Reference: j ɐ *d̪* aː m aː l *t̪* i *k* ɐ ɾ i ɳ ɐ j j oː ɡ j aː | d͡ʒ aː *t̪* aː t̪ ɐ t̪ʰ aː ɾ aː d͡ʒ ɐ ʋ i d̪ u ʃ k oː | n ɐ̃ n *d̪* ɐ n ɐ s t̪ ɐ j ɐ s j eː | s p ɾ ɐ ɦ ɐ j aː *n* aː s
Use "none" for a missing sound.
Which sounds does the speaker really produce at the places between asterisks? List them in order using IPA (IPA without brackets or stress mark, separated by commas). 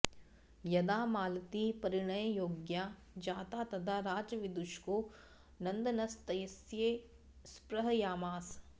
d̪, t̪, p, t̪, d̪, m